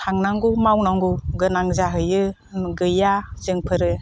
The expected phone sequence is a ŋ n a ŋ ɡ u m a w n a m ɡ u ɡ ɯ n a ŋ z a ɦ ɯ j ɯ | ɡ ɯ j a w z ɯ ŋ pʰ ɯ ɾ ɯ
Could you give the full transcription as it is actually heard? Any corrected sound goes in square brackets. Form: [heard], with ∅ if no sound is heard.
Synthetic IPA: a ŋ n a ŋ ɡ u m a w n a [ŋ] ɡ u ɡ ɯ n a ŋ z a ɦ ɯ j ɯ | ɡ ɯ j a [∅] z ɯ ŋ pʰ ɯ ɾ ɯ